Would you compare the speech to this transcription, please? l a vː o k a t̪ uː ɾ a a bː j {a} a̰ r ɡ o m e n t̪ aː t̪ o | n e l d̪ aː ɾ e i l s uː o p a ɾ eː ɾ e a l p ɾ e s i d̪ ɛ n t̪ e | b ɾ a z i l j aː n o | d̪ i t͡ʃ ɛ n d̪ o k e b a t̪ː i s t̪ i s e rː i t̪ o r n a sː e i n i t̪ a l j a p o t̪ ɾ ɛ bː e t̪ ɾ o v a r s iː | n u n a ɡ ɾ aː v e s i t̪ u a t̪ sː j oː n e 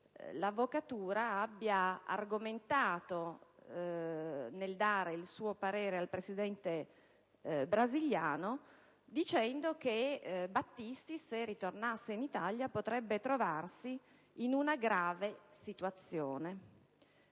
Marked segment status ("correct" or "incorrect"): correct